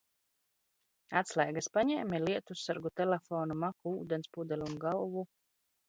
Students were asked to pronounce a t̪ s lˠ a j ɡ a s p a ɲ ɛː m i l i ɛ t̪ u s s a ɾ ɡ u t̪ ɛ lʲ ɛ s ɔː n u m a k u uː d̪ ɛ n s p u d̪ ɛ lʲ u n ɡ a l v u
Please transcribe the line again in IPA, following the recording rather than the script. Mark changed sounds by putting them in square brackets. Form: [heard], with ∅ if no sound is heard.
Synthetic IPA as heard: a t̪ s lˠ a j ɡ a s p a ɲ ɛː m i l i ɛ t̪ u s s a ɾ ɡ u t̪ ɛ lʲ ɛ [f] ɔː n u m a k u uː d̪ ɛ n s p u d̪ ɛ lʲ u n ɡ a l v u